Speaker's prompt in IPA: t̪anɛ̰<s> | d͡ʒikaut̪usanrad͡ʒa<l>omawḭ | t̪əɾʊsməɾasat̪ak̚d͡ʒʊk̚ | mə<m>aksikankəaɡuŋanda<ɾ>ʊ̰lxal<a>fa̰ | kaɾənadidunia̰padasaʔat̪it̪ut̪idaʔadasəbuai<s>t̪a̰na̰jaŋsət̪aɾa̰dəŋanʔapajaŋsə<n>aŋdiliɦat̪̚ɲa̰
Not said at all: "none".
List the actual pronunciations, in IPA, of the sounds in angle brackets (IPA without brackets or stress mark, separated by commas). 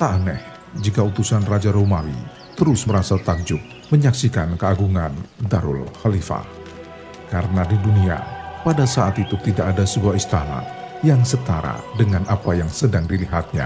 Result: h, ɾ, ɲ, ɾ, i, s, d